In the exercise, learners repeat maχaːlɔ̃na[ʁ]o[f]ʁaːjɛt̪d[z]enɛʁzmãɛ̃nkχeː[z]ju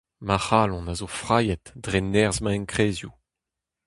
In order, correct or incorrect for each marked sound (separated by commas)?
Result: incorrect, correct, incorrect, correct